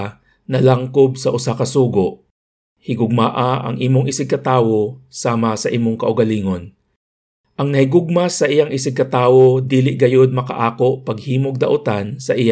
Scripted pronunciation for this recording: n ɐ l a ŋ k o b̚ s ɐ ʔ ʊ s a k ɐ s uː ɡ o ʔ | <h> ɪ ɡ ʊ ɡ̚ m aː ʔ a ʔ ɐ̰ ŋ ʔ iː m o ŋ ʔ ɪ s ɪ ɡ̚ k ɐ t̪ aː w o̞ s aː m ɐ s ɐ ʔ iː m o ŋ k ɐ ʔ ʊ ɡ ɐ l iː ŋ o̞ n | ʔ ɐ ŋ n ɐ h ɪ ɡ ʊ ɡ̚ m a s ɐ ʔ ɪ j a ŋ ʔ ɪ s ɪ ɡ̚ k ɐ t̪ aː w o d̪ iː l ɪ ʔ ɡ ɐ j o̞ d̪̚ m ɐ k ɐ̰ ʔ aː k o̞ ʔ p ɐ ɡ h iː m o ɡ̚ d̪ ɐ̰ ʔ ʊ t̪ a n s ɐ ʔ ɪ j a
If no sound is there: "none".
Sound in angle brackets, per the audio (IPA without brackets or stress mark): h